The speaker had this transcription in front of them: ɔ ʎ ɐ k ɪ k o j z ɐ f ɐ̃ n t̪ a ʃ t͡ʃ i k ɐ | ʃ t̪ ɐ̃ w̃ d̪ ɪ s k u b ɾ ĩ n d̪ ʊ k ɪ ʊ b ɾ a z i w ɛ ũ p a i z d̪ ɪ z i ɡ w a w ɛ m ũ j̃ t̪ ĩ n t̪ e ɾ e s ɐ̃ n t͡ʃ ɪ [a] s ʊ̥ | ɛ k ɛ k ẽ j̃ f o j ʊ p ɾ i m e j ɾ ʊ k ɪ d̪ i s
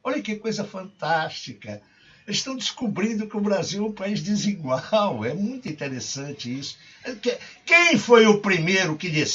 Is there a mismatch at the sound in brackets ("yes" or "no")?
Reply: yes